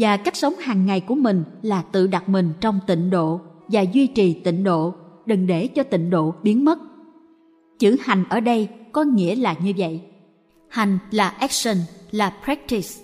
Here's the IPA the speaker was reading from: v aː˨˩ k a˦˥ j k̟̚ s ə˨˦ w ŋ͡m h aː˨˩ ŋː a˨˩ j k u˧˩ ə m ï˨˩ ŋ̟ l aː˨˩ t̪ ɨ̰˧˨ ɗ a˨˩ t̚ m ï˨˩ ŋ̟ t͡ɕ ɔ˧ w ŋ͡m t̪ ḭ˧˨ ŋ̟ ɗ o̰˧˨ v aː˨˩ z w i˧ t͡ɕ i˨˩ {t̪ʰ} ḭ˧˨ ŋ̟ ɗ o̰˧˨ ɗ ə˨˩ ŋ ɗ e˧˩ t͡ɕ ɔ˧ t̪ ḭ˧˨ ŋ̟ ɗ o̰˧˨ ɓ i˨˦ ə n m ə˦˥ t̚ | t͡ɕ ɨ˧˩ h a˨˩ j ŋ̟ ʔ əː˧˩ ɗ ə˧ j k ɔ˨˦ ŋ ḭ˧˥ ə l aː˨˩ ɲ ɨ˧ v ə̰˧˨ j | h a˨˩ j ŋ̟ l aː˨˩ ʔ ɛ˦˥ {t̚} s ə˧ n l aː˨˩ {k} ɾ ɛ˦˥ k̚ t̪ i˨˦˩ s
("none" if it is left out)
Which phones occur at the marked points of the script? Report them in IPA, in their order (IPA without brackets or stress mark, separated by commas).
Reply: t̪, k̚, p